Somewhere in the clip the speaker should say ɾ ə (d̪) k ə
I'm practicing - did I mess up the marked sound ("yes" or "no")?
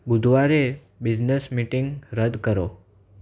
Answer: no